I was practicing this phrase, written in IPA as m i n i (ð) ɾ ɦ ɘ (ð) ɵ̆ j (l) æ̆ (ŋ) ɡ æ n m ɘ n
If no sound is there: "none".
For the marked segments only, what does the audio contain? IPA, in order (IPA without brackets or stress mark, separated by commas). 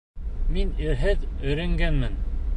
none, ð, ɾ, ŋ